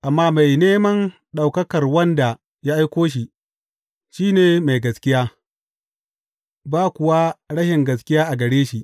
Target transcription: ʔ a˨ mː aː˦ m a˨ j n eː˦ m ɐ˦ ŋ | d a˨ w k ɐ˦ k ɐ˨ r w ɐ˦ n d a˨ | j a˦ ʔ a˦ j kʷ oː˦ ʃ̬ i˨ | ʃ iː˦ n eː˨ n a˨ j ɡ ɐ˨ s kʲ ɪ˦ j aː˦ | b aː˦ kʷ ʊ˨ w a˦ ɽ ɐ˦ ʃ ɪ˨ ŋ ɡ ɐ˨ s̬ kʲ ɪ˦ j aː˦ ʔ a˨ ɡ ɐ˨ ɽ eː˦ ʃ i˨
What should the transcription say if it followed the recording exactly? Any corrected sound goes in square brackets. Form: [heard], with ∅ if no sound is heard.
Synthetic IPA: ʔ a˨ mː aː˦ m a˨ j n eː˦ m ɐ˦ [n] | [ɗ] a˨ w k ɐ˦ k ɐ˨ r w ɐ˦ n d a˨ | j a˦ ʔ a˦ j kʷ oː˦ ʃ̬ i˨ | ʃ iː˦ n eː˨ [m] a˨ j ɡ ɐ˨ s kʲ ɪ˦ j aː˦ | b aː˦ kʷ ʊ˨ w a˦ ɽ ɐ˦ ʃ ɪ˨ ŋ ɡ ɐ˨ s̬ kʲ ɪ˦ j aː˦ ʔ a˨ ɡ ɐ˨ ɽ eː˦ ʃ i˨